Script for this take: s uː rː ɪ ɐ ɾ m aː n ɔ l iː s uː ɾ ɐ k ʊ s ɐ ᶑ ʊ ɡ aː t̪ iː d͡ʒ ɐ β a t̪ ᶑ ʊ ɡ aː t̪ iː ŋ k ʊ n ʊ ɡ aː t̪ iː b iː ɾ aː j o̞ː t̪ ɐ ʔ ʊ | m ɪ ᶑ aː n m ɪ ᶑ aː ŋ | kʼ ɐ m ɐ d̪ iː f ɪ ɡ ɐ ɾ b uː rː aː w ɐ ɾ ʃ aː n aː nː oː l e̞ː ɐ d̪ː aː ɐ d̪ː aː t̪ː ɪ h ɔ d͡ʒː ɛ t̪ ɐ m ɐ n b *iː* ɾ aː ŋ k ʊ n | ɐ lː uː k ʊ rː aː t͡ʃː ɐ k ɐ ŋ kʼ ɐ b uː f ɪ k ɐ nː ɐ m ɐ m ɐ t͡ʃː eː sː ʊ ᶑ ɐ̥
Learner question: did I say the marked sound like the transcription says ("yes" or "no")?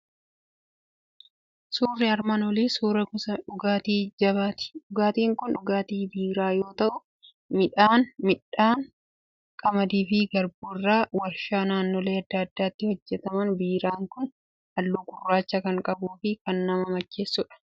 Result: yes